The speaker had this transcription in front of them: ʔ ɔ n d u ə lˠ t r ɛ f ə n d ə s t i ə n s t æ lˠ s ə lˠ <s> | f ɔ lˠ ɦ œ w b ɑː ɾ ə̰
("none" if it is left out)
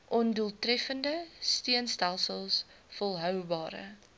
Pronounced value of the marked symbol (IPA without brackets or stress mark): s